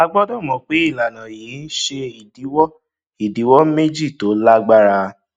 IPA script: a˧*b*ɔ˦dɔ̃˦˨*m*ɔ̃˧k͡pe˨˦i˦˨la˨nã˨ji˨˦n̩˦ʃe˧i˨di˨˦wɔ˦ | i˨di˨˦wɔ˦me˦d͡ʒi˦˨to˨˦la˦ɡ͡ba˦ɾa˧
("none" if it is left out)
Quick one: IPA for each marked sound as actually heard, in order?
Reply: ɡ͡b, m

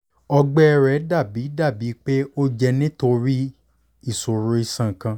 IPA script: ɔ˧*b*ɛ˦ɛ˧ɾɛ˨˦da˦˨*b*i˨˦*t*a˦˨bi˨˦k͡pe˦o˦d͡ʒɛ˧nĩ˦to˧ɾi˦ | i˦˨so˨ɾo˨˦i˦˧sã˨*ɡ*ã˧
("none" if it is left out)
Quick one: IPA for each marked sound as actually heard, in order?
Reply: ɡ͡b, b, d, k

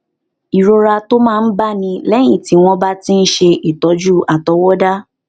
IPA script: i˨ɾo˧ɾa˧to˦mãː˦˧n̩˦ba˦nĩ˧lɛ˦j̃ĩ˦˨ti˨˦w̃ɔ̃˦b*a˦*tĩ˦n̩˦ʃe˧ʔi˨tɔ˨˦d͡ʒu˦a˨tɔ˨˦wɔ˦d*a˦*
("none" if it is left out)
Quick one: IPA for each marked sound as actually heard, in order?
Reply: a˦, a˦

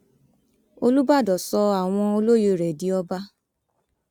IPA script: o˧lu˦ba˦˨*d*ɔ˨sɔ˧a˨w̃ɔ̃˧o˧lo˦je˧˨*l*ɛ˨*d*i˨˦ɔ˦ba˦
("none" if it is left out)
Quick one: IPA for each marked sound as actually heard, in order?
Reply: d, ɾ, d

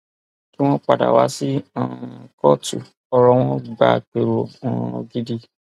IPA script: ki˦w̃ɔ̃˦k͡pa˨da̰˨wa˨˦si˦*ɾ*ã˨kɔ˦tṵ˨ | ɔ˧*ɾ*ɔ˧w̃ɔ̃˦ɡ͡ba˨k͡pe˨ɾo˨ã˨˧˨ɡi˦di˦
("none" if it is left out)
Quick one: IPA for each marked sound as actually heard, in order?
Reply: none, ɾ

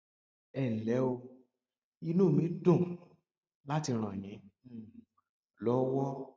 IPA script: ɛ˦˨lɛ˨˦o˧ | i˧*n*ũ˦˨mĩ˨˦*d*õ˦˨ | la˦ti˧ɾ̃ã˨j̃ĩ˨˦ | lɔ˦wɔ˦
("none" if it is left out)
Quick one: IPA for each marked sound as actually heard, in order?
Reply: n, d

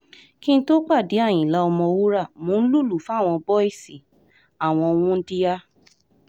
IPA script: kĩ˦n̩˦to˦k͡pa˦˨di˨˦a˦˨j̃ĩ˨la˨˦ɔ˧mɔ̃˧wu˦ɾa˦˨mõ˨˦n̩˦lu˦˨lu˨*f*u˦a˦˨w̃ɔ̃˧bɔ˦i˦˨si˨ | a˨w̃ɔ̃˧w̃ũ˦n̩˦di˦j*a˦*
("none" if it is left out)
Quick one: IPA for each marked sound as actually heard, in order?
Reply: f, a˦

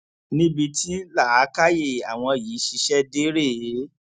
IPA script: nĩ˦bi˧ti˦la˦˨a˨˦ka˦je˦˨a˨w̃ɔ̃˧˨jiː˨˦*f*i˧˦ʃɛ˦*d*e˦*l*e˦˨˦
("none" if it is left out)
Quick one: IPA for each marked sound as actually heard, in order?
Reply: ʃ, d, ɾ

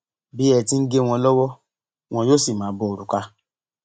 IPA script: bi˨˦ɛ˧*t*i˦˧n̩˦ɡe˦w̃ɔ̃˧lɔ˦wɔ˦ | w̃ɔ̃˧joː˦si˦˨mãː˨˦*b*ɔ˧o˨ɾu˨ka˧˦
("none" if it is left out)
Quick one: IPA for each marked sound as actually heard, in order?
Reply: t, b

